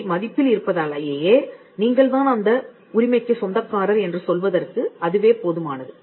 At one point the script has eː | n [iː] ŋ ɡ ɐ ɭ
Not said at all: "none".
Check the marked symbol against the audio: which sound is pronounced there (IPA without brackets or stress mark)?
iː